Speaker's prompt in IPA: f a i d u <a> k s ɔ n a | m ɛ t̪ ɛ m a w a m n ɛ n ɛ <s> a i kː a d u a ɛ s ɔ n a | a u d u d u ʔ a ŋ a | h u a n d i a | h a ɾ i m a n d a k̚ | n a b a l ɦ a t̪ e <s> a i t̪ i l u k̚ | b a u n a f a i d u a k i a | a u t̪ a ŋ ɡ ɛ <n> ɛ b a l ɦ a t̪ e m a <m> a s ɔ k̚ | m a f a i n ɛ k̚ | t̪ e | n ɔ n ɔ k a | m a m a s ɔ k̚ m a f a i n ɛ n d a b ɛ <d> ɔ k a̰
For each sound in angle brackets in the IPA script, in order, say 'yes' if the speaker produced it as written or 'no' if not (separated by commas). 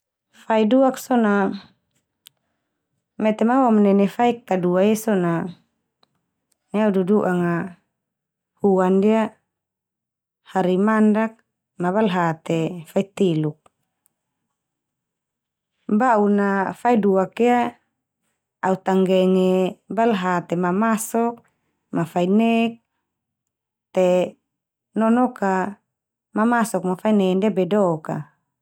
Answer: yes, no, no, no, yes, yes